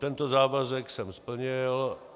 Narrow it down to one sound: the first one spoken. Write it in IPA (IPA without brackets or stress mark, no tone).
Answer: t̪